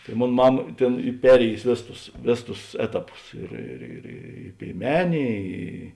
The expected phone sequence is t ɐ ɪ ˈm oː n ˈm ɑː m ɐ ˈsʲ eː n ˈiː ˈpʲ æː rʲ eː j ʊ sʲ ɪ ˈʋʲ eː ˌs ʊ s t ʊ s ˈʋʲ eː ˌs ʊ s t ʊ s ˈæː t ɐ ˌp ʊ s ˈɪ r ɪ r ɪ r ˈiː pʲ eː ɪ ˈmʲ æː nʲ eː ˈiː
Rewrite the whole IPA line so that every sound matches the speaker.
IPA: t ɐ ɪ ˈm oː n ˈm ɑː m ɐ ˈtʲ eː n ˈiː ˈpʲ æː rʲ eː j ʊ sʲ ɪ ˈʋʲ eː ˌs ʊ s t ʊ s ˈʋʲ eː ˌs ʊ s t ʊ s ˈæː t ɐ ˌp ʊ s ˈɪ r ɪ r ɪ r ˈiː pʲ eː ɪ ˈmʲ æː nʲ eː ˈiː